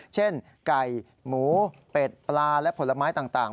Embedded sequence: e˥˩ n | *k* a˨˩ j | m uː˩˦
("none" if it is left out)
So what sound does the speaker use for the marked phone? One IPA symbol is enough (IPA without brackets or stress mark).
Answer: k